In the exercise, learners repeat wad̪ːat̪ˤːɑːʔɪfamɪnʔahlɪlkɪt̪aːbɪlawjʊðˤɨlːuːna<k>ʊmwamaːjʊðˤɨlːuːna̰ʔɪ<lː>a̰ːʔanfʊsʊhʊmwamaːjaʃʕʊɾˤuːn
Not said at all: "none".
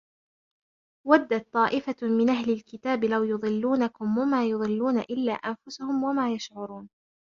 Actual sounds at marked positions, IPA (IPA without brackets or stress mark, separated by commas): k, lː